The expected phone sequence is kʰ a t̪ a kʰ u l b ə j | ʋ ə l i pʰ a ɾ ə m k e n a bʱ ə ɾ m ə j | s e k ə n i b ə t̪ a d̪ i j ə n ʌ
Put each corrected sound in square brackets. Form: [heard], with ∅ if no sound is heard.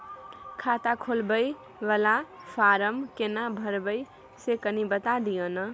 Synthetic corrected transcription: kʰ a t̪ a kʰ [o] l b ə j | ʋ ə l [a] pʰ a ɾ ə m k e n a bʱ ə ɾ [b] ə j | s e k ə n i b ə t̪ a d̪ i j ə n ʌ